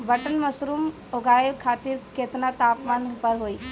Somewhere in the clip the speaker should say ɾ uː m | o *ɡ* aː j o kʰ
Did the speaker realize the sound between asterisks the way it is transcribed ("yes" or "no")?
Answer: yes